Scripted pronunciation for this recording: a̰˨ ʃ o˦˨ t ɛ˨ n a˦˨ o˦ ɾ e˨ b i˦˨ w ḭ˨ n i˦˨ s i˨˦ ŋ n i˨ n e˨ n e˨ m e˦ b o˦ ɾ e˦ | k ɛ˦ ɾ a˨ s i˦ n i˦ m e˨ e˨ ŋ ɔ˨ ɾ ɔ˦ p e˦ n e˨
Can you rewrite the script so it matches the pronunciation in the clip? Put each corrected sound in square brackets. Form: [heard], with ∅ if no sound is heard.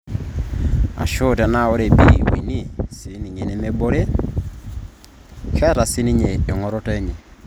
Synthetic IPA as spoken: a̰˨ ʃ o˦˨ t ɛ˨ n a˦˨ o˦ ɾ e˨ b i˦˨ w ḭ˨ n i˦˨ s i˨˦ [∅] n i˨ [ɲ] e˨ n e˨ m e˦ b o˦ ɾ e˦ | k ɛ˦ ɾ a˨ s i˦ n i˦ [ɲ] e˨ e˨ ŋ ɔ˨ ɾ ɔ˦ [t] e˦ [ɲ] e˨